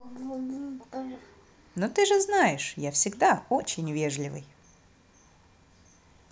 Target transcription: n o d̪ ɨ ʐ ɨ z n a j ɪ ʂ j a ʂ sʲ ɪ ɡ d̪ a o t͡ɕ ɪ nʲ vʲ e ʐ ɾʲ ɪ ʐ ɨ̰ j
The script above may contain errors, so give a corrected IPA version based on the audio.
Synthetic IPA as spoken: n o t̪ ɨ ʐ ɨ z n a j ɪ ʂ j a f sʲ ɪ ɡ d̪ a o t͡ɕ ɪ nʲ vʲ e ʐ lʲ ɪ v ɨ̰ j